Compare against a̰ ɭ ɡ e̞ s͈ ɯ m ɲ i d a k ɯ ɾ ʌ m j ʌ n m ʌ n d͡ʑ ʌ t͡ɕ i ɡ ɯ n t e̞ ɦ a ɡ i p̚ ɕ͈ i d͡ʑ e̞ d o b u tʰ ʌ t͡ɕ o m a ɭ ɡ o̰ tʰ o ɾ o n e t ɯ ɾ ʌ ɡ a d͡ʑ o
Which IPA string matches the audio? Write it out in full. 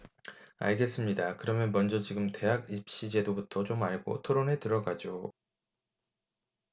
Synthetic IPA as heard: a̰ ɭ ɡ e̞ s͈ ɯ m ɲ i d a k ɯ ɾ ʌ m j ʌ n m ʌ n d͡ʑ ʌ t͡ɕ i ɡ ɯ m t e̞ ɦ a ɡ i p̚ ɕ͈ i d͡ʑ e̞ d o b u tʰ ʌ t͡ɕ o m a ɭ ɡ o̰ tʰ o ɾ o n e t ɯ ɾ ʌ ɡ a d͡ʑ o